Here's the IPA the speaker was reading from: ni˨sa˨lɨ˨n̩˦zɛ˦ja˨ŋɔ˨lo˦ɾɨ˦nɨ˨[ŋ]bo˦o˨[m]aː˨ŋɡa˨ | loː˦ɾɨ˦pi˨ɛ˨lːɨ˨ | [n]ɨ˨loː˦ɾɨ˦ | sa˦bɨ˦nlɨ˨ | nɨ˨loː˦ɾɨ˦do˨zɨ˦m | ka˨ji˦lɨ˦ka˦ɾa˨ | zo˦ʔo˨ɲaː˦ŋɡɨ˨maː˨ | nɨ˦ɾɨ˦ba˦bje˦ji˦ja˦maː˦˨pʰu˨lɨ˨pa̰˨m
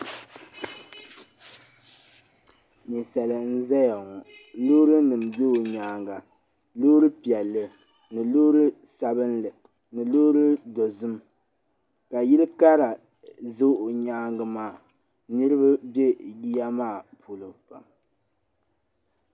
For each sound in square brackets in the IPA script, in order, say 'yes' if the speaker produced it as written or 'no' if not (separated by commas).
no, no, yes